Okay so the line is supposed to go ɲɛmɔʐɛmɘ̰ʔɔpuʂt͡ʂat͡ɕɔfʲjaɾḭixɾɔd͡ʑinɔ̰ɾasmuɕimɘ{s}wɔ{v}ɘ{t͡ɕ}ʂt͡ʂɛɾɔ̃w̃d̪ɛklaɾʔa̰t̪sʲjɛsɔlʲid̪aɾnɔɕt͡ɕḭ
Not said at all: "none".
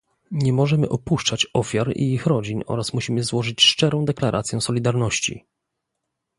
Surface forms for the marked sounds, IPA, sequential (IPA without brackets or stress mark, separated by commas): z, ʐ, t͡ɕ